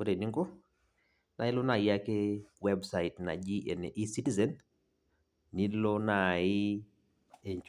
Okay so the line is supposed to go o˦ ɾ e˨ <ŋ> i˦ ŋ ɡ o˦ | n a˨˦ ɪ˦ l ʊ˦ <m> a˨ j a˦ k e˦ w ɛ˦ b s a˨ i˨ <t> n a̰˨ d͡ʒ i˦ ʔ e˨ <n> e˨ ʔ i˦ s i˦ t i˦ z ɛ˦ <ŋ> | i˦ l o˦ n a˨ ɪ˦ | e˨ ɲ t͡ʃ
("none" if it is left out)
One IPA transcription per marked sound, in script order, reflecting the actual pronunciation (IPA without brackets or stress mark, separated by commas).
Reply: n, n, t, n, n